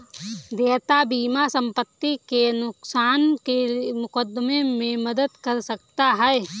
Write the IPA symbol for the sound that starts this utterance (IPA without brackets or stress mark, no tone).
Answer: d̪